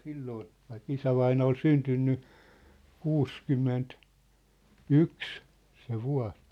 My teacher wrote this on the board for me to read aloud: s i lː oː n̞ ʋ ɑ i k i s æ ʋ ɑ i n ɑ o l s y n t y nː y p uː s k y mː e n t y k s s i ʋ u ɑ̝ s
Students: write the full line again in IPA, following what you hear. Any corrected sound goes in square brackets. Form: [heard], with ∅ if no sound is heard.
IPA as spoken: s i lː oː n̞ ʋ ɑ i k i s æ ʋ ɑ i n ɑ o l s y n t y nː y [k] uː s k y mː e n t y k s s [e] ʋ u ɑ̝ s